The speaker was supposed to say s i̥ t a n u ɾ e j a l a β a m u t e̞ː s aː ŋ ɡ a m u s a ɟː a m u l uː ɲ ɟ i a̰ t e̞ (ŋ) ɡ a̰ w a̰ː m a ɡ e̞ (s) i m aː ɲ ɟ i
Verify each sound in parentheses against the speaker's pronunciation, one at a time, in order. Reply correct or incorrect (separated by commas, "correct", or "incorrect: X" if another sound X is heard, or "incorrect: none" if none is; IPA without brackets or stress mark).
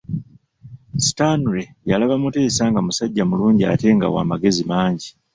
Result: correct, incorrect: z